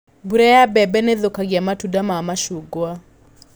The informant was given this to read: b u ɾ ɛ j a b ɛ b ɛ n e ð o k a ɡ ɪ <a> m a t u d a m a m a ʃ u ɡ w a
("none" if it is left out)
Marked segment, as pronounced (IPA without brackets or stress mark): a